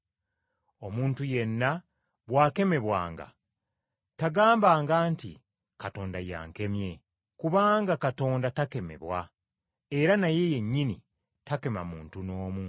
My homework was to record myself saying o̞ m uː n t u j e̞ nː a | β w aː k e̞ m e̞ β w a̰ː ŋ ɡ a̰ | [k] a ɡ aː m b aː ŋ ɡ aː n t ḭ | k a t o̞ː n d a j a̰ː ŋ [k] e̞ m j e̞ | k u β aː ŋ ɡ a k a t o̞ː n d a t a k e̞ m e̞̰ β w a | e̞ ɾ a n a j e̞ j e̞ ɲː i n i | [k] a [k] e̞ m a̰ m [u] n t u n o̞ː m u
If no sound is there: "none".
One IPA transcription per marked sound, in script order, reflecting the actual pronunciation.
t, k, t, k, uː

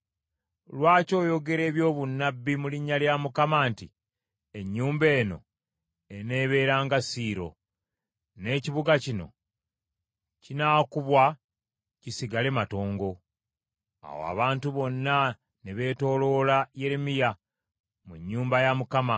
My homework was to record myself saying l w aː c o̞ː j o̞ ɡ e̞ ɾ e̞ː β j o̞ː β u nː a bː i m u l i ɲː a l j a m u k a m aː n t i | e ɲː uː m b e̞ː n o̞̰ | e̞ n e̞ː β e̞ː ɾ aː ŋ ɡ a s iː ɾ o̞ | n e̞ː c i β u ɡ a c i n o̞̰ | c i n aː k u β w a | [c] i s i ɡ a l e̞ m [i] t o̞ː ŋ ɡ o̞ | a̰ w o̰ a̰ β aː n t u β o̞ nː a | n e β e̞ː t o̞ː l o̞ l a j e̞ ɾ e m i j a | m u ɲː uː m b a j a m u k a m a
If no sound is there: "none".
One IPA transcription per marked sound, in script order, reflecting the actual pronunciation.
c, a

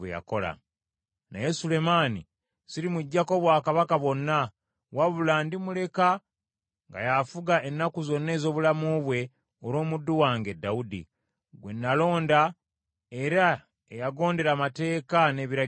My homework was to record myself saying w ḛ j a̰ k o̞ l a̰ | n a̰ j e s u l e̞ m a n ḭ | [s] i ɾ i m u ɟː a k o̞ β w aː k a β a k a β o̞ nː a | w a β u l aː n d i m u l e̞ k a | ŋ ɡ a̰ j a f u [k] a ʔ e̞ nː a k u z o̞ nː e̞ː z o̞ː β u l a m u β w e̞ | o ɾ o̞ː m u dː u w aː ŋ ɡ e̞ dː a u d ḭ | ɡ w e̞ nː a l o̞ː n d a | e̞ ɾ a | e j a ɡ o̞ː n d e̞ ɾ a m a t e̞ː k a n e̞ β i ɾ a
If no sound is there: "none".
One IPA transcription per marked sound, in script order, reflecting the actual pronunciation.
s, ɡ

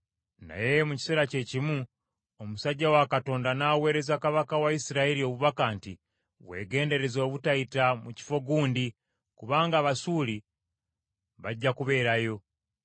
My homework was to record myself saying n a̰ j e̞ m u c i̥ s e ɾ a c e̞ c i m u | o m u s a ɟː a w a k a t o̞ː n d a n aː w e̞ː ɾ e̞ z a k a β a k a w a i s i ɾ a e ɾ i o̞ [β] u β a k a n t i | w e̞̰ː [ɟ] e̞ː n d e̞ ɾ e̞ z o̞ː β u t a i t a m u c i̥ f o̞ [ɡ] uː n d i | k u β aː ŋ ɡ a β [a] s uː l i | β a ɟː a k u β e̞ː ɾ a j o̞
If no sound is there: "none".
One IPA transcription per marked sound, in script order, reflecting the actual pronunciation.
β, ɡ, ɡ, a

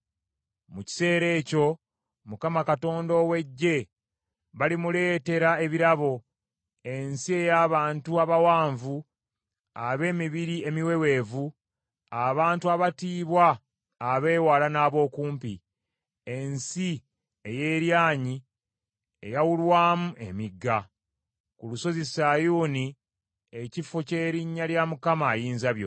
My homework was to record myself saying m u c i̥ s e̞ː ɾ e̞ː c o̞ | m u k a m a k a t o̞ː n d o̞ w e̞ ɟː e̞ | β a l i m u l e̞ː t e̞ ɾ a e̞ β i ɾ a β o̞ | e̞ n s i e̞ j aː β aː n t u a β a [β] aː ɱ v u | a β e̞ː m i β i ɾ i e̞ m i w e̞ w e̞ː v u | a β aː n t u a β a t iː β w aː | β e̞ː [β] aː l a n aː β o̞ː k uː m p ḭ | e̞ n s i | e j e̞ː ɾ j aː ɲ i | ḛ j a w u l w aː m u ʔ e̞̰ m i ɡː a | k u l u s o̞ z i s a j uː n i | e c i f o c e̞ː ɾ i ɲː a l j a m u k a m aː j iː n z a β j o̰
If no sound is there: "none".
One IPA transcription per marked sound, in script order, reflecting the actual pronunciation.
w, w

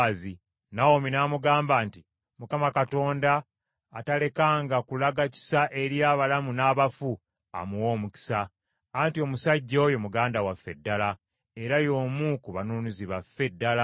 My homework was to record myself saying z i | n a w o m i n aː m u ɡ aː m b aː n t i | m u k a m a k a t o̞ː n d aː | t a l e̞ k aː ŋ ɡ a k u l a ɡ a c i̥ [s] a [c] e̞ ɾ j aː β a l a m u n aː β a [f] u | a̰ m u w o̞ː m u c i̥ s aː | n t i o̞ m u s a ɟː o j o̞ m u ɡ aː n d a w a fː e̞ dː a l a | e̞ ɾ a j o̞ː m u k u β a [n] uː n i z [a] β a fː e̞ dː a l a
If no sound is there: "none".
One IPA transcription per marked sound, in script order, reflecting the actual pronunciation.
s, ʔ, f, n, i

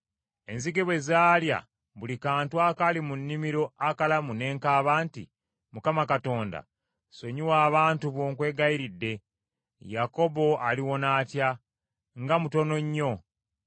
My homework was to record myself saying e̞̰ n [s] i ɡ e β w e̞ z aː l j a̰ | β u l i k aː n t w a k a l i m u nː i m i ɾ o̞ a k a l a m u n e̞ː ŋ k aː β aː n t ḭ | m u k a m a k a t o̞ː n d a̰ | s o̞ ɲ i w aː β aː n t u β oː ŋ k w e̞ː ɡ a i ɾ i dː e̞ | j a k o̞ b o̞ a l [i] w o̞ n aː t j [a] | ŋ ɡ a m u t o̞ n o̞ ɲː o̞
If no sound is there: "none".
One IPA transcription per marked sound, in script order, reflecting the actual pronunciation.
z, i, a

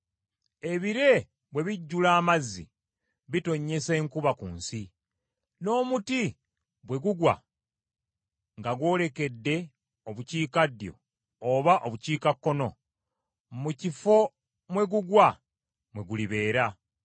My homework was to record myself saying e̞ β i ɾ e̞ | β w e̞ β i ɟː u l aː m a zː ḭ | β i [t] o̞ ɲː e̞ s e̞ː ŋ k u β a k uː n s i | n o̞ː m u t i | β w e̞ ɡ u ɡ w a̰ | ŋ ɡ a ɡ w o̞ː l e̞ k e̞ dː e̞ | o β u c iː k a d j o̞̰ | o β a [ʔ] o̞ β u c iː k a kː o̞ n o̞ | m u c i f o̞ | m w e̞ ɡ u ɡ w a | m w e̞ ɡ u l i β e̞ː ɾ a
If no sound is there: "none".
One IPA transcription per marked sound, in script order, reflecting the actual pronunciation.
t, ʔ

